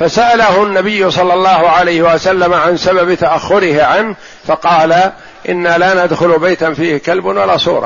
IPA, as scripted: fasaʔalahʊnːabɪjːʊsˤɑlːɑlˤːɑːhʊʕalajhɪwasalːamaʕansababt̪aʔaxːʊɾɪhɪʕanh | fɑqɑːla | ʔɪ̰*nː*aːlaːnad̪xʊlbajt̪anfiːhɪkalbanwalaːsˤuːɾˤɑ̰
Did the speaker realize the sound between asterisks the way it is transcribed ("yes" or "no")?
yes